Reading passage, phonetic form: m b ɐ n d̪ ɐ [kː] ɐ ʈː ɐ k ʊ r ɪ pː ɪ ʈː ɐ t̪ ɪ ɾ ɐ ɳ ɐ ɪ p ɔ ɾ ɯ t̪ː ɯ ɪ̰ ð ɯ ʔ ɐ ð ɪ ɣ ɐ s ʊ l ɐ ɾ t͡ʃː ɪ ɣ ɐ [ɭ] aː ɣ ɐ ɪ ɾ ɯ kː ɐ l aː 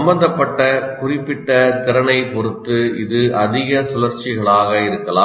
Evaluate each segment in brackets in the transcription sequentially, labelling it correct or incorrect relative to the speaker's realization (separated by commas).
incorrect, correct